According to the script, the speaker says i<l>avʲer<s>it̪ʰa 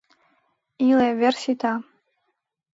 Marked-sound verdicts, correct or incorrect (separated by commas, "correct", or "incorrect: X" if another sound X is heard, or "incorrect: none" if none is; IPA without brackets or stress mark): correct, correct